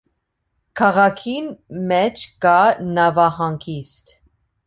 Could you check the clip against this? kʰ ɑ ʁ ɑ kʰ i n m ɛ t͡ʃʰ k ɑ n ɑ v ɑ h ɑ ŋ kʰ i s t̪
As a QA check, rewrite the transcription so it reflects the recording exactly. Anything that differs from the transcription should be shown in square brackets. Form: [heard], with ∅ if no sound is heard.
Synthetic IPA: kʰ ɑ ʁ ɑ kʰ i n m ɛ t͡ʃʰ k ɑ n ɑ v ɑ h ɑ ŋ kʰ i s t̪